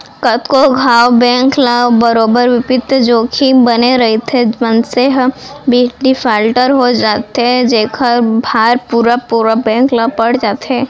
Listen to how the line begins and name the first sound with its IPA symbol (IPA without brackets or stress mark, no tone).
k